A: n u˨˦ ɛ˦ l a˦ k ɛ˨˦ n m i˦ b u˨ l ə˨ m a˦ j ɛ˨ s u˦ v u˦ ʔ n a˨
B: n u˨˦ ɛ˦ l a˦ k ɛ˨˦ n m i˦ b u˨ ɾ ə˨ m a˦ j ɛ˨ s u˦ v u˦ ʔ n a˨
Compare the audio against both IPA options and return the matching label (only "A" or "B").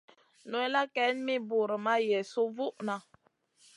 B